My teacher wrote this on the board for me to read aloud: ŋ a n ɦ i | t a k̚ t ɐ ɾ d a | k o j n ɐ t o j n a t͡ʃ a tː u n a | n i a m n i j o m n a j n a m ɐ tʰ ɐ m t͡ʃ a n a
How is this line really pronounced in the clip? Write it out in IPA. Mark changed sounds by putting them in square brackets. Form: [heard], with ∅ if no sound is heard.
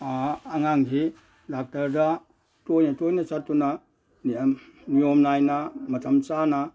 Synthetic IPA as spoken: ŋ a [ŋ] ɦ i | [d] a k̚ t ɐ ɾ d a | [t] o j n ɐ t o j n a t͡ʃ a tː u n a | n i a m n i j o m n a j n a m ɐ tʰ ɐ m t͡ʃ a n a